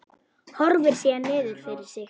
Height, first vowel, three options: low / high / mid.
mid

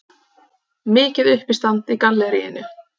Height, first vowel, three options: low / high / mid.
high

